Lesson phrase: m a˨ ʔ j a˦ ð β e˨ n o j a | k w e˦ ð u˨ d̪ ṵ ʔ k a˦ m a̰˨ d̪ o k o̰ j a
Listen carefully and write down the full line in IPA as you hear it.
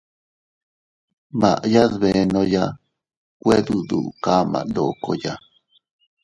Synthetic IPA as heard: m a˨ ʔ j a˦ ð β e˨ n o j a | k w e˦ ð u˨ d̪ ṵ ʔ k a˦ m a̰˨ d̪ o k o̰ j a